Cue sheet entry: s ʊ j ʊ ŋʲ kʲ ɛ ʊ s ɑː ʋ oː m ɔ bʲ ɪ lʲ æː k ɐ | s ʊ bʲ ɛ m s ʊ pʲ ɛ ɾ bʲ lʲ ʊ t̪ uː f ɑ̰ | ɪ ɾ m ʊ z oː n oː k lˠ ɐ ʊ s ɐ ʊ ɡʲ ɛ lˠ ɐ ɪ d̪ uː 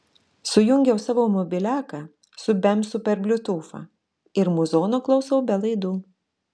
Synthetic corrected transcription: s ʊ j ʊ ŋʲ ɡʲ ɛ ʊ s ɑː ʋ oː m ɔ bʲ ɪ lʲ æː k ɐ | s ʊ bʲ ɛ m s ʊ pʲ ɛ ɾ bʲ lʲ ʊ t̪ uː f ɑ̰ | ɪ ɾ m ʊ z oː n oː k lˠ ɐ ʊ s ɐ ʊ bʲ ɛ lˠ ɐ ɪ d̪ uː